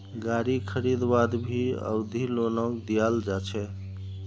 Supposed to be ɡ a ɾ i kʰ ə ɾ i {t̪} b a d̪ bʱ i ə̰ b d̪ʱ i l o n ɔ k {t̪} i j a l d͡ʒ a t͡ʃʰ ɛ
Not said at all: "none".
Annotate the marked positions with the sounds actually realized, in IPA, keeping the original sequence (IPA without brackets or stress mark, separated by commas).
d̪, d̪